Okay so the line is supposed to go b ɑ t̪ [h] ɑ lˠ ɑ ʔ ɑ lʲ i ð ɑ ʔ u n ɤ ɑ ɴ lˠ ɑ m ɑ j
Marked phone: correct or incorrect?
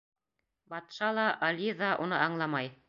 incorrect